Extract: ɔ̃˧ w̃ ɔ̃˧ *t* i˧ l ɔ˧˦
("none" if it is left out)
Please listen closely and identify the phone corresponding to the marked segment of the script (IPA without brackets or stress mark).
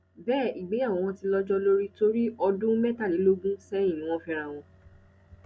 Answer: t